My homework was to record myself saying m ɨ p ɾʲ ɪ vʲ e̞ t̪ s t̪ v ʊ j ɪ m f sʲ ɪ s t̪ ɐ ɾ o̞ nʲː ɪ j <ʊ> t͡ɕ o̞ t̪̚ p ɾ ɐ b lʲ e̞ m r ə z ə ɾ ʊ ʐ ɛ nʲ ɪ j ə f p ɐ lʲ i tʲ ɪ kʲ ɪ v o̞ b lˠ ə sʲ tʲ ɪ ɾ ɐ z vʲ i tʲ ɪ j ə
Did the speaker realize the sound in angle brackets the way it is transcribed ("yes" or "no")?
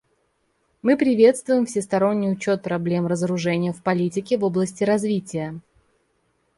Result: yes